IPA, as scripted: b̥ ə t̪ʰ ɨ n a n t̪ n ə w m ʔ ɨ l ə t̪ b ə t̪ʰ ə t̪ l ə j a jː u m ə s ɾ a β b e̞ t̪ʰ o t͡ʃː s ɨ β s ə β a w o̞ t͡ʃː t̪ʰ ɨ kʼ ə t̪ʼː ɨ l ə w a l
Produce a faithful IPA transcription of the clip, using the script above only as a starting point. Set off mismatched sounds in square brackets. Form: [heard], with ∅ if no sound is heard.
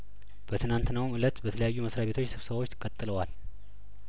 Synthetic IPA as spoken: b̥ ə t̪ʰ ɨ n a n t̪ n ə w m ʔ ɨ l ə t̪ b ə t̪ʰ ə [∅] l ə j a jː u m ə s ɾ a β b e̞ t̪ʰ o t͡ʃː s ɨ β s ə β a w o̞ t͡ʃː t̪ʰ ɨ kʼ ə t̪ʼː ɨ l ə w a l

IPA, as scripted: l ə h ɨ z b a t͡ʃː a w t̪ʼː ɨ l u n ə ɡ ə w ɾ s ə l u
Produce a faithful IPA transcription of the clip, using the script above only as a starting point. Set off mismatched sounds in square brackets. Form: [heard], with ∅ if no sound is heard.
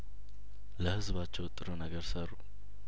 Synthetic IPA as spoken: l ə h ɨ z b a t͡ʃː [ɛ] w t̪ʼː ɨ [ɾ] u n ə ɡ ə [∅] ɾ s ə [ɾ] u

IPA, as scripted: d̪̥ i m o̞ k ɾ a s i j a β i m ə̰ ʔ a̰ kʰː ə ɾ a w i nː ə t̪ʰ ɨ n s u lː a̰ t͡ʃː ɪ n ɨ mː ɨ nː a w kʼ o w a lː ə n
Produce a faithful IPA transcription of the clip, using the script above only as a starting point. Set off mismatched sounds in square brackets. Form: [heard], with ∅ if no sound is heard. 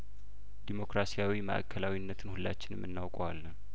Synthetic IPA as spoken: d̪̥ i m o̞ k ɾ a s i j a [w] i m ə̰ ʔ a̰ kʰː ə [l] a w i nː ə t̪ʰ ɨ n [h] u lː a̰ t͡ʃː ɪ n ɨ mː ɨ nː a w kʼ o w a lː ə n

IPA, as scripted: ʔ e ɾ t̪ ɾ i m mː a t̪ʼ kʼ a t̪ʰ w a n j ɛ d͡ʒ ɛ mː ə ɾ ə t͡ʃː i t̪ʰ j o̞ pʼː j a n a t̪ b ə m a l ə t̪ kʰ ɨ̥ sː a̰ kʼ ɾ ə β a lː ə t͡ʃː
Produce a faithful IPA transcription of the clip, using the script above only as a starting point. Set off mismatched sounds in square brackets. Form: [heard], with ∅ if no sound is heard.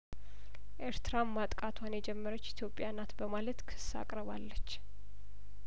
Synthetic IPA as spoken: ʔ e ɾ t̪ ɾ [a] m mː a t̪ʼ kʼ a t̪ʰ w a n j ɛ d͡ʒ ɛ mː ə ɾ ə t͡ʃː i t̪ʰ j o̞ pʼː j a n a t̪ b ə m a l ə t̪ kʰ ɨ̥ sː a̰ kʼ ɾ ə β a lː ə t͡ʃː

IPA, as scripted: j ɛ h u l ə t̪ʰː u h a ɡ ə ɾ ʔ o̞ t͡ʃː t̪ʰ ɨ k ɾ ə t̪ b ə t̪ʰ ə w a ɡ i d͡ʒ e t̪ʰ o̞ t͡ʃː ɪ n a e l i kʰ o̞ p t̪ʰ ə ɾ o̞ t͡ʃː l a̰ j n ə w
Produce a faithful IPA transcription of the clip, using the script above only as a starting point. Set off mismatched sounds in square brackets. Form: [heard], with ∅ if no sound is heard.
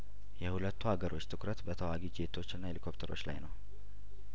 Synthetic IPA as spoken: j ɛ h u l ə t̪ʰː u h a ɡ ə ɾ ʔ o̞ t͡ʃː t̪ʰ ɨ k ɾ ə t̪ b ə t̪ʰ ə w a ɡ i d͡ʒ e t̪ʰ o̞ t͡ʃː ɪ [nː] a e l i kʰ o̞ p t̪ʰ ə ɾ o̞ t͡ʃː l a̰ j n ə w

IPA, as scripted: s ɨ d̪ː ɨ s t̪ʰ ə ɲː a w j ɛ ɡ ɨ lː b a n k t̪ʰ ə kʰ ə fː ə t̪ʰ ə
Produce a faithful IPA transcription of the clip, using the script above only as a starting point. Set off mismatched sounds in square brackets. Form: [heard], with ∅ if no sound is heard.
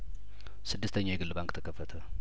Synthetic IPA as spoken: s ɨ d̪ː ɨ s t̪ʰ ə ɲː a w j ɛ ɡ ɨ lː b a [ŋ] k t̪ʰ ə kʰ ə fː ə t̪ʰ ə

